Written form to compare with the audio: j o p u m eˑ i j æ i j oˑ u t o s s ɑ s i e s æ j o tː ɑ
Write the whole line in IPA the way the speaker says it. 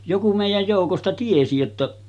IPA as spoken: j o k u m eˑ i j æ j j oˑ u k o s t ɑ t i e s i j o tː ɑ